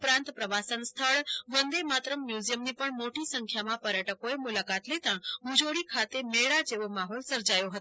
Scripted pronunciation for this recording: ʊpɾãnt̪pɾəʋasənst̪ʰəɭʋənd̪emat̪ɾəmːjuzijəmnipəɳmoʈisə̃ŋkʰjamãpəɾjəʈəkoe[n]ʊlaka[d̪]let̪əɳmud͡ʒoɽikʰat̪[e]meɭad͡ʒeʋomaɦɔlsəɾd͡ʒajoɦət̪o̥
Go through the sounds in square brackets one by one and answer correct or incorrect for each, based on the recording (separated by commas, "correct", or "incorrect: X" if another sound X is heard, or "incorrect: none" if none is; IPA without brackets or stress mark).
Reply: incorrect: m, incorrect: t̪, correct